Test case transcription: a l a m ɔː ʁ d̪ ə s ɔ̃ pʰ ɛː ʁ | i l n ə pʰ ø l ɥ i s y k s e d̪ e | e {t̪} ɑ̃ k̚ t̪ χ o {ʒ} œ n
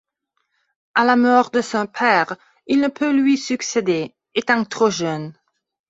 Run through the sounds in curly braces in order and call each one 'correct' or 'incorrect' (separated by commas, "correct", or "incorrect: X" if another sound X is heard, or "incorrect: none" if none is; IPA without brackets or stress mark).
correct, correct